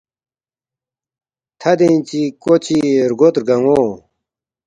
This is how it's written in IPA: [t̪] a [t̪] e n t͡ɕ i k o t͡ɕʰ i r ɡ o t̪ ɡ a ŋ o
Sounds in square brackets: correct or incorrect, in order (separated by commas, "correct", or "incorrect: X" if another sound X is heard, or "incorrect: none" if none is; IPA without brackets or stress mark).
incorrect: t̪ʰ, incorrect: d̪